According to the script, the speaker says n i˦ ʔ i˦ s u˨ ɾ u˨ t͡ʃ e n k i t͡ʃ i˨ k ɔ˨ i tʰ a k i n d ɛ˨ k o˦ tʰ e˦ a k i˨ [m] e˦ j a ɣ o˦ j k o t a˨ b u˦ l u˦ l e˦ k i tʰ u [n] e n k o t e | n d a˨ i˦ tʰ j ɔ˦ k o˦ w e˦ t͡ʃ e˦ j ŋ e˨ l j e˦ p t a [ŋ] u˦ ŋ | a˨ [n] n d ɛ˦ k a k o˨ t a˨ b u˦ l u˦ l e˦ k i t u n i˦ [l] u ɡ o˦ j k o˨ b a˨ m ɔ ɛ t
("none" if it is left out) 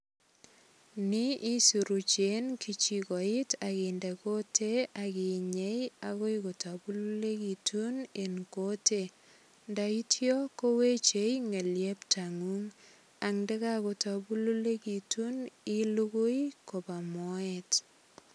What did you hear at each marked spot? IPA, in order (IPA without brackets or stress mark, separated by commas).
ɲ, n, ŋ, ŋ, l